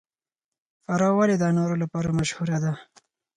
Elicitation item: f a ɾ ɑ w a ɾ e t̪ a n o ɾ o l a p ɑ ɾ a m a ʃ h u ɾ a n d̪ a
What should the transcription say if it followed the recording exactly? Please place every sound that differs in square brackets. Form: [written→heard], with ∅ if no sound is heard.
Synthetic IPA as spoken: f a ɾ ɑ w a [ɾ→l] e [t̪→d̪] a n o ɾ o l a p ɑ ɾ a m a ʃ h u ɾ a [n→∅] d̪ a